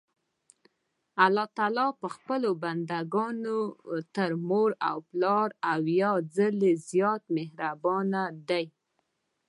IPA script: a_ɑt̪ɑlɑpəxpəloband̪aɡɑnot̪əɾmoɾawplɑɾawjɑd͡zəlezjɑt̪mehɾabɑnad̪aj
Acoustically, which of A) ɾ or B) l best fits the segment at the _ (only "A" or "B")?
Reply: B